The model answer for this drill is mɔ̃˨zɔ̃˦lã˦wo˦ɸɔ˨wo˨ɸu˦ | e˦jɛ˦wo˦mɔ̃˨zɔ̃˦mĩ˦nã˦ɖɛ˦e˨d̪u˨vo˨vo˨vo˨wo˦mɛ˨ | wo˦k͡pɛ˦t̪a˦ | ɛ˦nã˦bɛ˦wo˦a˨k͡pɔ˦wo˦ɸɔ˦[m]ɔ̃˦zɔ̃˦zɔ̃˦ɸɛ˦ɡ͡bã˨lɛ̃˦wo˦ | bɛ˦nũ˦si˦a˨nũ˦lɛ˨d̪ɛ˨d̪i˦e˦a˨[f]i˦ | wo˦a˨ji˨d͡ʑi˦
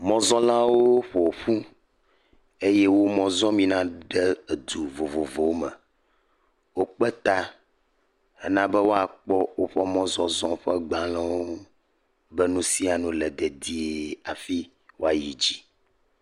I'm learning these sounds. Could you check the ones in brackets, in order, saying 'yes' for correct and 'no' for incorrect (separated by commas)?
yes, yes